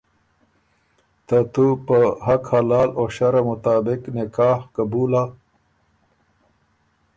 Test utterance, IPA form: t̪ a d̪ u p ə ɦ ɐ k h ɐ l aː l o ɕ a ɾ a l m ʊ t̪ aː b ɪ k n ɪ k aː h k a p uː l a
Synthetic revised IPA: t̪ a t̪ u p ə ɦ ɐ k h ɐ l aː l o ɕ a ɾ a m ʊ t̪ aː b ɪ k n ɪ k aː h k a b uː l a